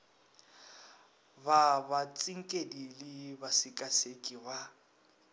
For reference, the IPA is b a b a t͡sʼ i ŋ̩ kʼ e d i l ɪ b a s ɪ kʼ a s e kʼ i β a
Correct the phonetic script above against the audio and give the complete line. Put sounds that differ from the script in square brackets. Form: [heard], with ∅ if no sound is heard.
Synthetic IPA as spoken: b a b a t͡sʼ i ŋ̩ kʼ e d i l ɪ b a s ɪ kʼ a s e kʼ i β a